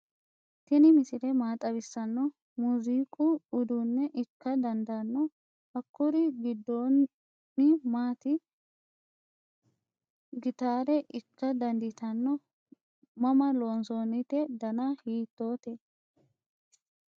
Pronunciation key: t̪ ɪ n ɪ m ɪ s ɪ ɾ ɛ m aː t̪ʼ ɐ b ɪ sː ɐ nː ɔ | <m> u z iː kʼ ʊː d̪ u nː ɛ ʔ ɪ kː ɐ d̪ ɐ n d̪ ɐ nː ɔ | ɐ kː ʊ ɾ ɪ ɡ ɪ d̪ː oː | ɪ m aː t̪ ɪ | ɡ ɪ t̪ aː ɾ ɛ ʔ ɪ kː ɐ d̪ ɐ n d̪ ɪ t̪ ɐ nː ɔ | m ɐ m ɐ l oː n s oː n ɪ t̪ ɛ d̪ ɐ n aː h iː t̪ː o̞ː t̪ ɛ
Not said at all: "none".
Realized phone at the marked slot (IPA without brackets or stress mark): m